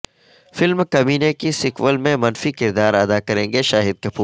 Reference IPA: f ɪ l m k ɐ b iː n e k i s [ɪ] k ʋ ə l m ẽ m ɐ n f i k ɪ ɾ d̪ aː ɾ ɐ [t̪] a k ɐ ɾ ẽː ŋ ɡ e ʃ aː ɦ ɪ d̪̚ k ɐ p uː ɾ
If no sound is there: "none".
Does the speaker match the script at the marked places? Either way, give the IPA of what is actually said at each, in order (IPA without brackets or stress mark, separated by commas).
ɪ, d̪